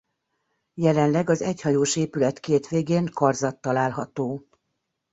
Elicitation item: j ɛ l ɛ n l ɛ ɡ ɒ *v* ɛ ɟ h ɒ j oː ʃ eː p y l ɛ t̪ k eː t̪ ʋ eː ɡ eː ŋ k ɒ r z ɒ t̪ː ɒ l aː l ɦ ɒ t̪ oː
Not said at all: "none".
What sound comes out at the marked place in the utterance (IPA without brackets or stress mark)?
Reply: z